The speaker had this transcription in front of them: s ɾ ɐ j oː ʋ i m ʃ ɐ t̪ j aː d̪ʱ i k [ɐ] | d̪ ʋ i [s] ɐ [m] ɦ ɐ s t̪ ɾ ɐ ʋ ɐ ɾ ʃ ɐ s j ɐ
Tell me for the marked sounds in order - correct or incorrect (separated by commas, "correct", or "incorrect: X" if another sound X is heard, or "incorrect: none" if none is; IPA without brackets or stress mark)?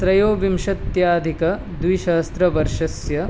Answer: correct, incorrect: ʃ, incorrect: none